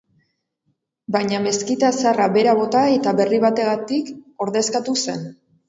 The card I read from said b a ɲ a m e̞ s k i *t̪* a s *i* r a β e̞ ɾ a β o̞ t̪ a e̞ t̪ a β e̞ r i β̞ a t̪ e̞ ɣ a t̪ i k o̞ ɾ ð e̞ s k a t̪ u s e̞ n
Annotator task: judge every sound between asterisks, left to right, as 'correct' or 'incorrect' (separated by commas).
correct, incorrect